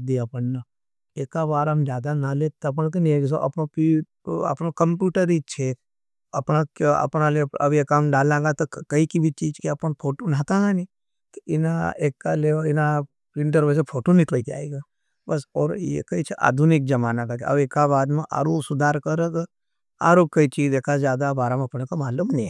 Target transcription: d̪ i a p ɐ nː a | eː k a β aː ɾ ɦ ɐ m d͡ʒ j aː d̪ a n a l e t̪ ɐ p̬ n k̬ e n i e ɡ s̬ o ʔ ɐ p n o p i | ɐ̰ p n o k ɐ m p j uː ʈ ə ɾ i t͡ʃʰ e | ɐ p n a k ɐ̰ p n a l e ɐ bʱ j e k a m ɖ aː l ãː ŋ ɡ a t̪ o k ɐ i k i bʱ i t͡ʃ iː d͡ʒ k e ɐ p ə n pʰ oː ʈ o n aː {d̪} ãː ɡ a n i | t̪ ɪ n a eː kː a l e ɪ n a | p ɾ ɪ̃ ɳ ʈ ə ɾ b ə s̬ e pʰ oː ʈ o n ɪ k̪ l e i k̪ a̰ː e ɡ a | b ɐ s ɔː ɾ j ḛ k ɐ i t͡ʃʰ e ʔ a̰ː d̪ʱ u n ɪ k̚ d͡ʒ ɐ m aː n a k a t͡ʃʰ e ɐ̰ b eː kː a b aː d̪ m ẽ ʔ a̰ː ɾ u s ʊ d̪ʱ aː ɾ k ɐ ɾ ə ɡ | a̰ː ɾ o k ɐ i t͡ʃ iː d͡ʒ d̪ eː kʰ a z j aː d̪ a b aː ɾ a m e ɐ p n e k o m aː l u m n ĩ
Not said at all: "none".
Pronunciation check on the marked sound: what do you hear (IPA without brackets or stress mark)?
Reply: t̪